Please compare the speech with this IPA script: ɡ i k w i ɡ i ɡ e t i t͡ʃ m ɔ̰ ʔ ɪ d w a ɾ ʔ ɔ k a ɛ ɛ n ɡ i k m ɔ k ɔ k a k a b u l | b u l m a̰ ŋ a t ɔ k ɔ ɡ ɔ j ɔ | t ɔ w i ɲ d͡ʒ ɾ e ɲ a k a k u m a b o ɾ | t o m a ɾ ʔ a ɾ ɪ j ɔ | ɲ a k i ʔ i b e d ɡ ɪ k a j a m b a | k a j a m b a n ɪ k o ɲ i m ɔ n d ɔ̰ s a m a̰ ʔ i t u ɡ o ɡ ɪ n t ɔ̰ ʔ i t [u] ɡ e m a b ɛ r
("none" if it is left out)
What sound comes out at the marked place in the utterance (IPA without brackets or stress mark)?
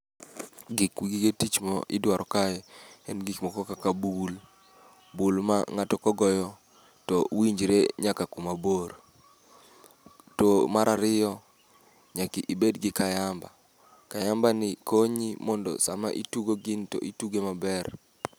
u